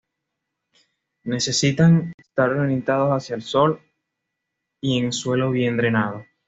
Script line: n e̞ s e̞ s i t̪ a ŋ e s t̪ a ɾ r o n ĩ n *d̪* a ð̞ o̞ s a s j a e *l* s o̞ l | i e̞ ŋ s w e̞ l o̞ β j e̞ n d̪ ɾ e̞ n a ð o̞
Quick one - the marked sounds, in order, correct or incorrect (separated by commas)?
incorrect, correct